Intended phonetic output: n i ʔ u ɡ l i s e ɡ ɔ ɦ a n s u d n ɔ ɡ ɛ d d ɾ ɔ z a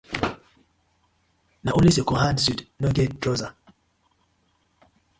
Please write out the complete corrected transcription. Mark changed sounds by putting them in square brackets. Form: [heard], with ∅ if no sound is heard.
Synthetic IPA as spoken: n [a] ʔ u [∅] l i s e [k] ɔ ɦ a n s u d n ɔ ɡ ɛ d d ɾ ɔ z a